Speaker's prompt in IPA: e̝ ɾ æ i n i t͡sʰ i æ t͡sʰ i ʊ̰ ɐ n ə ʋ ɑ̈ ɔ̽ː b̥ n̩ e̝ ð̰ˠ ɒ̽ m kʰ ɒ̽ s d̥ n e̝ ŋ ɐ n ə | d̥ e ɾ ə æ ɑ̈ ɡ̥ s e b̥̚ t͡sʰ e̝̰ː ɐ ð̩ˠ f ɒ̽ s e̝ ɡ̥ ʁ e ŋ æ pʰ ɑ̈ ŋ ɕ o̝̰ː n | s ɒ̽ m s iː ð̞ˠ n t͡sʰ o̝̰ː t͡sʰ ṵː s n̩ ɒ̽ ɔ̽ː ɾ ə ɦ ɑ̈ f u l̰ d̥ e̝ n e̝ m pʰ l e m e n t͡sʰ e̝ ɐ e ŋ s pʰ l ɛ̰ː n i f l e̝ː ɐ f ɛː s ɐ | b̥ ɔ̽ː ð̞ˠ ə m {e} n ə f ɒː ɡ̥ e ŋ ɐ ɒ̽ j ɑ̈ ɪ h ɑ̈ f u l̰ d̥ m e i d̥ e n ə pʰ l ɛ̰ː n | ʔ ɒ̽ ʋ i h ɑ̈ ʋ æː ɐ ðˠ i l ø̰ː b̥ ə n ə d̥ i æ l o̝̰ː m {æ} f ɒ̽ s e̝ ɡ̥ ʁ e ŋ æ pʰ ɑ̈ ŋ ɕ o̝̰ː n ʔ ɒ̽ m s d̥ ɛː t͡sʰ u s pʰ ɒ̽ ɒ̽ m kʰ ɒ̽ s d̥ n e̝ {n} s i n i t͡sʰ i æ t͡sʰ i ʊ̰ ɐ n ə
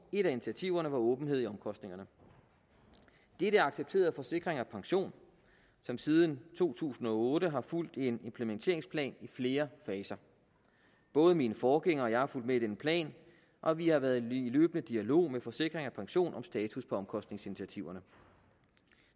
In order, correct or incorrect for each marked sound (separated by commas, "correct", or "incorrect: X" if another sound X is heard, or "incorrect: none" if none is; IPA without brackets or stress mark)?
incorrect: i, incorrect: e, incorrect: ŋ